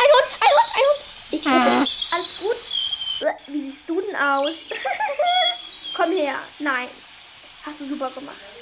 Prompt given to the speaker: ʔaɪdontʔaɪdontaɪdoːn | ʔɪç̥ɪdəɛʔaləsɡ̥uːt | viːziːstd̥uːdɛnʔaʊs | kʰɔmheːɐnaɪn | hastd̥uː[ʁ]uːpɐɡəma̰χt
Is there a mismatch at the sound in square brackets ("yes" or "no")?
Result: yes